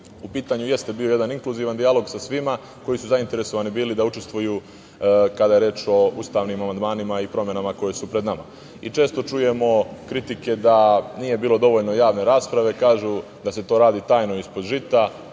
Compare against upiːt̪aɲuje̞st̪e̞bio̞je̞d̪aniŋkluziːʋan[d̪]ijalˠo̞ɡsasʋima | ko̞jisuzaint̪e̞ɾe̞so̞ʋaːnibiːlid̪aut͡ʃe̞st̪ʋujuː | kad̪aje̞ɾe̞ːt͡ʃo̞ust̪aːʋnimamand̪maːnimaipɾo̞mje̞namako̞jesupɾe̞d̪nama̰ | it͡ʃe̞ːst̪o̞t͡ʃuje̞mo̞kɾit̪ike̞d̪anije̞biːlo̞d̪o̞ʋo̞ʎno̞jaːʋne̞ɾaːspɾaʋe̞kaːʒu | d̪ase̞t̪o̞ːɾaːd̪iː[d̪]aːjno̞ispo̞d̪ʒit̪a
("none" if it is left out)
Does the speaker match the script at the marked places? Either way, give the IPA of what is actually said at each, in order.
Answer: d̪, t̪

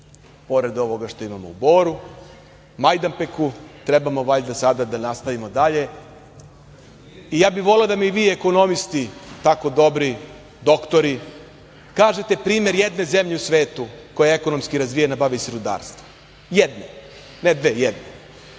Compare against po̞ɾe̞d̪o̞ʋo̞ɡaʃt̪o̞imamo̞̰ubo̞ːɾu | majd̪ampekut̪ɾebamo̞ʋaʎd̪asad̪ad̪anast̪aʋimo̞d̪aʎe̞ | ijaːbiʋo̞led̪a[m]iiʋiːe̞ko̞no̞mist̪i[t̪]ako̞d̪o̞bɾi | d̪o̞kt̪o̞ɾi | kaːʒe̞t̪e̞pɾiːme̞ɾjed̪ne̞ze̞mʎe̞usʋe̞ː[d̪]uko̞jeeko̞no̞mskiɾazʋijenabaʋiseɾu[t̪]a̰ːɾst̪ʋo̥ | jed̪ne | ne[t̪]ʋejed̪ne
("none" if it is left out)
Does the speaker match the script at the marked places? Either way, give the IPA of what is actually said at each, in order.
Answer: m, t̪, t̪, d̪, d̪

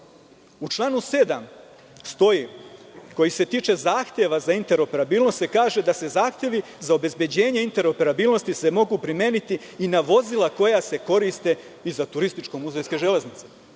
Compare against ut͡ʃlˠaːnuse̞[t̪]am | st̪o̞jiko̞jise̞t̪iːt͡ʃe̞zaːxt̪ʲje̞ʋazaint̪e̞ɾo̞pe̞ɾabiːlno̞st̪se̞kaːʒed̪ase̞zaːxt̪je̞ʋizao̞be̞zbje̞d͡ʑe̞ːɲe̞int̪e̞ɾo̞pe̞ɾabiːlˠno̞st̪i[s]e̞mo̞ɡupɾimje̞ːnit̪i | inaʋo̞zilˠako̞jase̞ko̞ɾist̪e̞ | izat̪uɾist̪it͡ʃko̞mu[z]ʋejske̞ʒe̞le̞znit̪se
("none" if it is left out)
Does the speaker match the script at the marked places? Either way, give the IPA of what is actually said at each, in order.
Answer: d̪, s, z

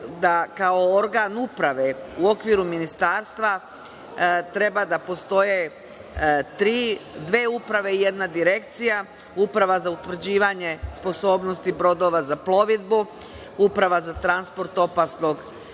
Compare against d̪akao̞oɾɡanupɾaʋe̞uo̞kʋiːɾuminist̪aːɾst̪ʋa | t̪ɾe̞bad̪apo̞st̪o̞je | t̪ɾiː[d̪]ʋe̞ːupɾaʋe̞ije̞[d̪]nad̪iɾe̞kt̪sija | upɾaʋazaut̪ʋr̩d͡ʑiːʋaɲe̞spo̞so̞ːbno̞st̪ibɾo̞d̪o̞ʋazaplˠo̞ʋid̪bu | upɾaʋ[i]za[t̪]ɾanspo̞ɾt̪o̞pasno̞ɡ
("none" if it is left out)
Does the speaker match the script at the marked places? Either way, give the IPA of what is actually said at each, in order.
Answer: d̪, d̪, a, t̪

